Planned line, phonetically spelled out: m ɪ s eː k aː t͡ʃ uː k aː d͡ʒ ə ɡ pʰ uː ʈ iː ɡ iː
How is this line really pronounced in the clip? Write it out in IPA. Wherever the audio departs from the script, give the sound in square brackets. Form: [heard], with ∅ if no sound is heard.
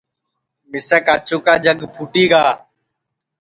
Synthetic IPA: m ɪ s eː k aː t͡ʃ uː k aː d͡ʒ ə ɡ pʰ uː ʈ iː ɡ [aː]